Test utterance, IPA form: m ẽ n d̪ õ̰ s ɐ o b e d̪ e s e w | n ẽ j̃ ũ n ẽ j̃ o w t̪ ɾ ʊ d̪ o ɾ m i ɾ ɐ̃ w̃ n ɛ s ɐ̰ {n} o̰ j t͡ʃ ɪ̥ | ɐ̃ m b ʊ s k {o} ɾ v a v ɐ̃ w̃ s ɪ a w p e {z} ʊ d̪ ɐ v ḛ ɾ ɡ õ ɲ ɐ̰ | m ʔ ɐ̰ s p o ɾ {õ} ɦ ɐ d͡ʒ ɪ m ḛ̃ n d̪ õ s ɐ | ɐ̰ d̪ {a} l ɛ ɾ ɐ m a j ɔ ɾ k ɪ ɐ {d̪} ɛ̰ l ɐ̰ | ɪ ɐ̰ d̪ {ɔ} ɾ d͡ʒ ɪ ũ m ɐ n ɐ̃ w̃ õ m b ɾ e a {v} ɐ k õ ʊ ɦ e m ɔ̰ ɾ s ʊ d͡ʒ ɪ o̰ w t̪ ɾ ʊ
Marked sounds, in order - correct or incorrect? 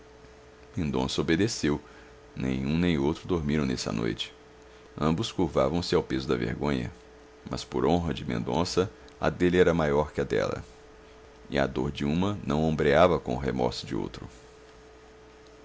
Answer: correct, incorrect: u, correct, correct, incorrect: e, correct, incorrect: o, correct

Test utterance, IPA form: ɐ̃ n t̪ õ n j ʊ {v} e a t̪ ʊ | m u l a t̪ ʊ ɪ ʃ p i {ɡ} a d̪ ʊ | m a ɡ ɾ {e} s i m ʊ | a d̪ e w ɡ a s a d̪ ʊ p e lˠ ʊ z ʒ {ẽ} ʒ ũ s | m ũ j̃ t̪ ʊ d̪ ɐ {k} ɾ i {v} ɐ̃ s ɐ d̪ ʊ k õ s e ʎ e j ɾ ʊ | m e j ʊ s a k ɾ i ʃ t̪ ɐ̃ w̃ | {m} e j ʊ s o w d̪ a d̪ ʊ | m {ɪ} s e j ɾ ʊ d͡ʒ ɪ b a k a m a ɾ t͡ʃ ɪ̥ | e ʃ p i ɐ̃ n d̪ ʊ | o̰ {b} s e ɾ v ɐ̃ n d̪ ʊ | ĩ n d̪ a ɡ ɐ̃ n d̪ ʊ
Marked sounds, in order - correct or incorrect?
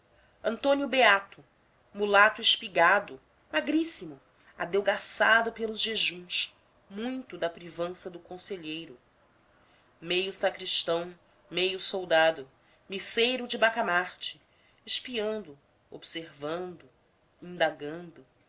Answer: incorrect: b, correct, incorrect: i, incorrect: e, incorrect: p, correct, correct, incorrect: i, correct

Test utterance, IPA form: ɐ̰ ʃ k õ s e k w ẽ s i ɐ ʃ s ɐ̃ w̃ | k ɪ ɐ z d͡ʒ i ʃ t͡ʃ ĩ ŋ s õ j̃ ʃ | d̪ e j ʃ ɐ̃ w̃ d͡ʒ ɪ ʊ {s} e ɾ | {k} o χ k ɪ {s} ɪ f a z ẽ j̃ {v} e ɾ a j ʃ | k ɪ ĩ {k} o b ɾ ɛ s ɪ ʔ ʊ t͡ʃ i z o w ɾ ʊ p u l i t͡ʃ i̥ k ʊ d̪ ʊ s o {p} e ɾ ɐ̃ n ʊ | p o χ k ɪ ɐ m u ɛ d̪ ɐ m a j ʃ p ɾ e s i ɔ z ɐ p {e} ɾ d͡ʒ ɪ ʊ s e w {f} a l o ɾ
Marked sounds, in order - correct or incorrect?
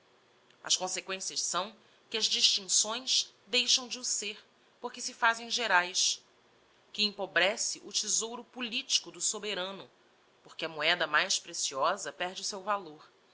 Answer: correct, incorrect: p, correct, incorrect: ʒ, incorrect: p, incorrect: b, incorrect: ɛ, incorrect: v

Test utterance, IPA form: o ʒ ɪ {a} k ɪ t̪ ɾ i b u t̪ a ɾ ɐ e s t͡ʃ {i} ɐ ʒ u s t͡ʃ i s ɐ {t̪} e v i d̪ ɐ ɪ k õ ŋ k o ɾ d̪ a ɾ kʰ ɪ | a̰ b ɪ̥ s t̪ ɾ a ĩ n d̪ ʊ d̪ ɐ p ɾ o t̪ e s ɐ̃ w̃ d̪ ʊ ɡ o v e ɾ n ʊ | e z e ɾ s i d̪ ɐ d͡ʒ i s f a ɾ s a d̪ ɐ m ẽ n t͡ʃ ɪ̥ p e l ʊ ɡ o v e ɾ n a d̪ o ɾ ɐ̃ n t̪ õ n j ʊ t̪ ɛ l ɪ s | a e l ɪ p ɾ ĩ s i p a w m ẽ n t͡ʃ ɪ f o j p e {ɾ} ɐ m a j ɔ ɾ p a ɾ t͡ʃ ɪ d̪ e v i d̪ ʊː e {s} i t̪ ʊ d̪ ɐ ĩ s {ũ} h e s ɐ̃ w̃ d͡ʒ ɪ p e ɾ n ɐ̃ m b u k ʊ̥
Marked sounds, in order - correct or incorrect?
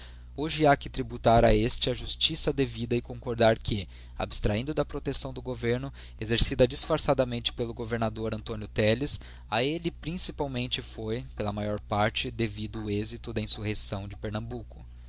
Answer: correct, incorrect: ɪ, incorrect: d̪, incorrect: l, incorrect: z, incorrect: u

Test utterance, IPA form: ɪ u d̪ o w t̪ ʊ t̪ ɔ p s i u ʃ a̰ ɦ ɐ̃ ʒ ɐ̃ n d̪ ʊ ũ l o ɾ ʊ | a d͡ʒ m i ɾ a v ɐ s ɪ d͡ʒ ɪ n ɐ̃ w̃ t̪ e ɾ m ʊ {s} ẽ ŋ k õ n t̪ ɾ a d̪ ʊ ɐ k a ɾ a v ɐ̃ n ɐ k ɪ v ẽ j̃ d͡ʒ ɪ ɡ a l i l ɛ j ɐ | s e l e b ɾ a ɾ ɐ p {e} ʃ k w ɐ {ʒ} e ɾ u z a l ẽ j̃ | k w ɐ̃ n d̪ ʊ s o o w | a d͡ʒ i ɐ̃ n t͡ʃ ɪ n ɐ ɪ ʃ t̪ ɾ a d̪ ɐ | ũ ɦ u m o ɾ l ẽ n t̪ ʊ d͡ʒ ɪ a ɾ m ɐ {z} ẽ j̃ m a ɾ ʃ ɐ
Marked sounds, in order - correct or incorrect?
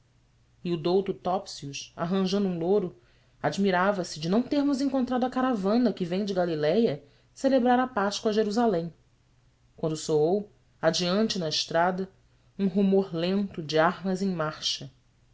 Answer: incorrect: z, incorrect: a, correct, correct

